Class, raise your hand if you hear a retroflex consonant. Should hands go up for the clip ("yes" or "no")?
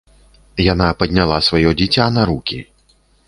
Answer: no